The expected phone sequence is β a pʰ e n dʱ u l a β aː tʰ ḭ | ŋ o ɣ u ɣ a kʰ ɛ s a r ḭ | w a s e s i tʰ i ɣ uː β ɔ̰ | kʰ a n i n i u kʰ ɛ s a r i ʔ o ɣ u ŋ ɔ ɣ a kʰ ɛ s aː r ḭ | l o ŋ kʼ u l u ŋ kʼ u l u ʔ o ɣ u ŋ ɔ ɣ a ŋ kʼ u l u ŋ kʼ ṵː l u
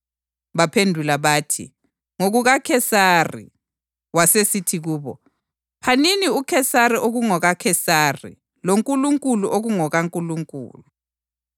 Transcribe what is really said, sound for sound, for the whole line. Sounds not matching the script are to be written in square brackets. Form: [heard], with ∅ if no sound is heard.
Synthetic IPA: β a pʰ e n dʱ u l a β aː tʰ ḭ | ŋ o ɣ u ɣ a kʰ ɛ s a r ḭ | w a s e s i tʰ i ɣ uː β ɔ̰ | [pʰ] a n i n i u kʰ ɛ s a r i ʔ o ɣ u ŋ ɔ ɣ a kʰ ɛ s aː r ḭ | l o ŋ kʼ u l u ŋ kʼ u l u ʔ o ɣ u ŋ ɔ ɣ a ŋ kʼ u l u ŋ kʼ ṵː l u